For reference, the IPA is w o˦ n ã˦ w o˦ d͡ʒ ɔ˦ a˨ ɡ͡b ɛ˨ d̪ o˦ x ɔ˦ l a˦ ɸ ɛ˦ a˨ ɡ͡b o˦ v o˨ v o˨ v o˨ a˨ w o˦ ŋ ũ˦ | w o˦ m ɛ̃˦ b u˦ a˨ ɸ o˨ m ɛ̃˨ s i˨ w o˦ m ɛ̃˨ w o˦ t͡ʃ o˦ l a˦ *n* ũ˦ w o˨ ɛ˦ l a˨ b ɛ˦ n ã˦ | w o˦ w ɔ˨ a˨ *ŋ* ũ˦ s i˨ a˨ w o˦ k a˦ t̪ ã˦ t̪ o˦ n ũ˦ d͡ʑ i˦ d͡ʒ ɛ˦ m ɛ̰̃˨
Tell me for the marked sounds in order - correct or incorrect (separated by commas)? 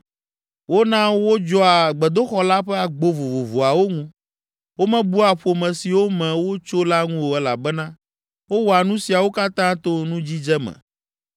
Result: incorrect, incorrect